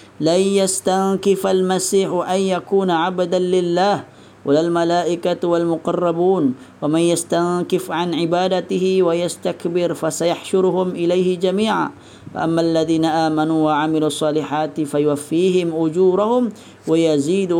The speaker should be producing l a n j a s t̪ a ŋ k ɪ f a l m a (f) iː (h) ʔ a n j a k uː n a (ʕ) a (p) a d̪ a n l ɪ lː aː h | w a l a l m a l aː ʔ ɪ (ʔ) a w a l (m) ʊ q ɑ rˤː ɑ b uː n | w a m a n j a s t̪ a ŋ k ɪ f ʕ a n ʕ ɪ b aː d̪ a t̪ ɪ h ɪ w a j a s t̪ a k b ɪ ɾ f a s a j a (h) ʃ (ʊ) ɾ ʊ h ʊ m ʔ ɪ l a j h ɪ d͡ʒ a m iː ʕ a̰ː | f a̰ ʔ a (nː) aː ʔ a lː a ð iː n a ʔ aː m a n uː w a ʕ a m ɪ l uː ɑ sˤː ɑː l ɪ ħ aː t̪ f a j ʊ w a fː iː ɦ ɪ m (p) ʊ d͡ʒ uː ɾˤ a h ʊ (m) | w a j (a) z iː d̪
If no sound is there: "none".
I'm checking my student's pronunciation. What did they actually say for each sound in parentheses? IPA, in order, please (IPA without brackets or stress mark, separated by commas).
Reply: s, ħ, ʕ, b, k, m, ħ, ʊ, mː, ʔ, m, a